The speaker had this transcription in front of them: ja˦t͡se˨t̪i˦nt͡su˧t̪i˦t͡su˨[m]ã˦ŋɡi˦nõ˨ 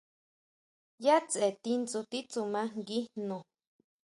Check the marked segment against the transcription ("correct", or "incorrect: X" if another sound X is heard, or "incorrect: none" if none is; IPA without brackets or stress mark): correct